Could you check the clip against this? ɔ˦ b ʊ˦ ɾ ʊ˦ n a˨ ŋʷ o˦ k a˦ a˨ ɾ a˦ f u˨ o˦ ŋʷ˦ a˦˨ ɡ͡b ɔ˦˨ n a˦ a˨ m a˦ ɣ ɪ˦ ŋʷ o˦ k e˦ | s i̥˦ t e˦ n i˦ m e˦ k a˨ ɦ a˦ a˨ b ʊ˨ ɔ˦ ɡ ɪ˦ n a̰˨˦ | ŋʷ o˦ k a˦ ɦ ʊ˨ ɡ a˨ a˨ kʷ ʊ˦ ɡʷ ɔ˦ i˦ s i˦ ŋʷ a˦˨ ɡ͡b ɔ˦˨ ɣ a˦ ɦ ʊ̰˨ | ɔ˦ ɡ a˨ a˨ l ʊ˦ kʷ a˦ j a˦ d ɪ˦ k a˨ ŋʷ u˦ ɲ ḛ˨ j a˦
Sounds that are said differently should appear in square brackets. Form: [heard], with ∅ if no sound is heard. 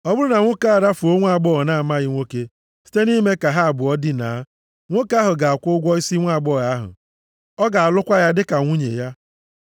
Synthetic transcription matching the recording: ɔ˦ b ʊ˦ ɾ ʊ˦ n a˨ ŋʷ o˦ k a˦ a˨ ɾ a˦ f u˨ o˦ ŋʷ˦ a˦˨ ɡ͡b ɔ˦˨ n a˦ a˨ m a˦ ɣ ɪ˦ ŋʷ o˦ k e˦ | s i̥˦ t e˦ n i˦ m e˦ k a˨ ɦ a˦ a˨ b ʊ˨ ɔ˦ [d] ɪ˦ n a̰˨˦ | ŋʷ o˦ k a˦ ɦ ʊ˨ ɡ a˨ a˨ kʷ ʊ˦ ɡʷ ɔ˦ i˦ s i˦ ŋʷ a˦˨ ɡ͡b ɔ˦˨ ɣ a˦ ɦ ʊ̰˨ | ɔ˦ ɡ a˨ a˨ l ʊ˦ kʷ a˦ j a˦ d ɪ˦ k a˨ ŋʷ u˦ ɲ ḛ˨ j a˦